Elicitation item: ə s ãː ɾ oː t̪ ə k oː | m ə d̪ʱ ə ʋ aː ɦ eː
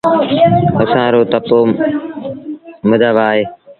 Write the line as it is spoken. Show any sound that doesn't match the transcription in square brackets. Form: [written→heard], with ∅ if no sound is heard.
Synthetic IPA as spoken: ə s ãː ɾ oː t̪ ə [k→p] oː | m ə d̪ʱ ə ʋ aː ɦ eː